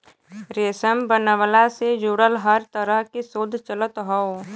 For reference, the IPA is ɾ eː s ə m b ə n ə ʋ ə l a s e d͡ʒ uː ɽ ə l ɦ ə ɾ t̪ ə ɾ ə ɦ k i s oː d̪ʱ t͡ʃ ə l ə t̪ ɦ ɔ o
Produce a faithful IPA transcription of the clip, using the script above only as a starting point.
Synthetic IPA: ɾ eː s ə m b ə n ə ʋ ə l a s e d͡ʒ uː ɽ ə l ɦ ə ɾ t̪ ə ɾ ə ɦ k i s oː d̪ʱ t͡ʃ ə l ə t̪ ɦ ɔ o